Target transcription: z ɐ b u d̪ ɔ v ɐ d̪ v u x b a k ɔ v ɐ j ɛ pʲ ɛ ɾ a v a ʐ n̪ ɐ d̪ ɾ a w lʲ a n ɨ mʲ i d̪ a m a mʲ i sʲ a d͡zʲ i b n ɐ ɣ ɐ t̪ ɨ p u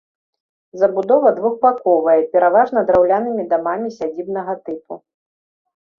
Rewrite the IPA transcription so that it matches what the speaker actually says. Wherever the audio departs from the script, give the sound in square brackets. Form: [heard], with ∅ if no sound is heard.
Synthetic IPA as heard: z ɐ b u d̪ ɔ v ɐ d̪ v u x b a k ɔ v ɐ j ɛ pʲ ɛ ɾ a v a ʐ n̪ ɐ d̪ ɾ a w lʲ a n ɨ mʲ i d̪ a m a mʲ i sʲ a d͡zʲ i b n ɐ ɣ ɐ t̪ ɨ p u